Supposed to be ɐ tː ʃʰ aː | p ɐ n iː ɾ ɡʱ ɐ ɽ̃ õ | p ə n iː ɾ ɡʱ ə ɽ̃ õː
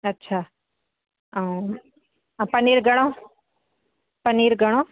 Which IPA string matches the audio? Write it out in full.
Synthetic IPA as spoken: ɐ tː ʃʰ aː | p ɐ n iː ɾ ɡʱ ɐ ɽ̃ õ | p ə n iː ɾ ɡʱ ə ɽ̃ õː